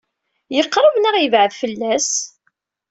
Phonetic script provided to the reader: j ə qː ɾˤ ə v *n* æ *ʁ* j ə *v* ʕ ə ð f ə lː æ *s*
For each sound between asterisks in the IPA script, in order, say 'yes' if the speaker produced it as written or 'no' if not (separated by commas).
yes, yes, yes, yes